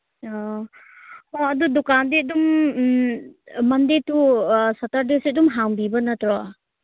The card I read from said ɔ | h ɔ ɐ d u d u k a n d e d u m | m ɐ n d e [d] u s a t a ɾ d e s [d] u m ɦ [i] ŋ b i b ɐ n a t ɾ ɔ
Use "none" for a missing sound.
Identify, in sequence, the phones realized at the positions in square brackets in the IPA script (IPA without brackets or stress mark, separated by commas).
t, d, a